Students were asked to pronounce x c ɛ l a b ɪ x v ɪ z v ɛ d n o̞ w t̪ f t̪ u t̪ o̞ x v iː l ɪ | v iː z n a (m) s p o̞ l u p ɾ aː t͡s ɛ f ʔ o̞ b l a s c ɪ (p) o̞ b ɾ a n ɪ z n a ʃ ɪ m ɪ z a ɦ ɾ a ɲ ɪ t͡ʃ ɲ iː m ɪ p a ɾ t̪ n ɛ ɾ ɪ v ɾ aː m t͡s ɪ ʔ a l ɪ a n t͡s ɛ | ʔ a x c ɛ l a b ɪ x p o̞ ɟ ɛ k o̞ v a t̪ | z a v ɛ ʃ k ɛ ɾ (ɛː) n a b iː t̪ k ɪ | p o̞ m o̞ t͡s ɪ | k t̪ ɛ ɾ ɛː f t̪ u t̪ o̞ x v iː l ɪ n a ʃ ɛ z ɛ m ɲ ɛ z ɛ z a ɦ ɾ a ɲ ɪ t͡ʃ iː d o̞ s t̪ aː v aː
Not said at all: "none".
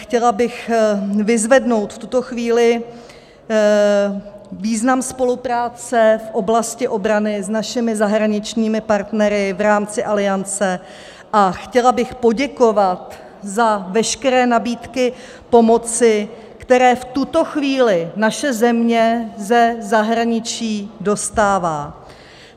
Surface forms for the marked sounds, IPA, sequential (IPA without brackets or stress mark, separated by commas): m, ʔ, ɛː